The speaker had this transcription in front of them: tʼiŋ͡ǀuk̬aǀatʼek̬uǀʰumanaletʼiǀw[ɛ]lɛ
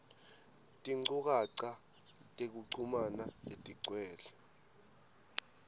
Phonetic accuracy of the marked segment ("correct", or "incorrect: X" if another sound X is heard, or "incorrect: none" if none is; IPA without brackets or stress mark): incorrect: ɛː